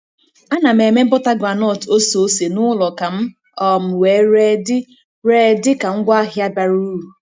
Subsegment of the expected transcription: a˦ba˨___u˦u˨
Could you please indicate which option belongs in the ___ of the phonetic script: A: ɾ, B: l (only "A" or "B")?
A